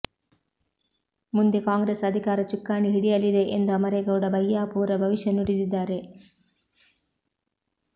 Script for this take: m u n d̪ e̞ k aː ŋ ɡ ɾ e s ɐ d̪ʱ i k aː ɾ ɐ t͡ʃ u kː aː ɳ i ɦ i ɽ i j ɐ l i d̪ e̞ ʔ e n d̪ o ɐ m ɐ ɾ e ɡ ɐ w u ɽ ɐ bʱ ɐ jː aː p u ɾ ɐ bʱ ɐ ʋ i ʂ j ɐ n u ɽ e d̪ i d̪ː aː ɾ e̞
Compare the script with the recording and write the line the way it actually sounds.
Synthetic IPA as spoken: m u n d̪ e̞ k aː ŋ ɡ ɾ e s ɐ d̪ʱ i k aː ɾ ɐ t͡ʃ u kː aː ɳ i ɦ i ɽ i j ɐ l i d̪ e̞ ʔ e n d̪ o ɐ m ɐ ɾ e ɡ ɐ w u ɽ ɐ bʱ ɐ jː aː p uː ɾ ɐ bʱ ɐ ʋ i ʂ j ɐ n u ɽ i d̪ i d̪ː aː ɾ e̞